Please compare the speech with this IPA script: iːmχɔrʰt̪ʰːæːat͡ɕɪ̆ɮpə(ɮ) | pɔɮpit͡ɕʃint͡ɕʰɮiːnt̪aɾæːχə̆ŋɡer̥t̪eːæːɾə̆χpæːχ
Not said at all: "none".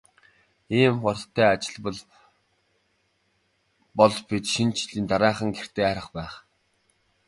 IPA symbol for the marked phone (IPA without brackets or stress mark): ɮ